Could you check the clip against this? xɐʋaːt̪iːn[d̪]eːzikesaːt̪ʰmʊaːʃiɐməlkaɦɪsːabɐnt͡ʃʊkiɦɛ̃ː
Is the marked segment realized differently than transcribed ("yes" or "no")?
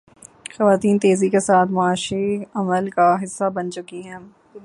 yes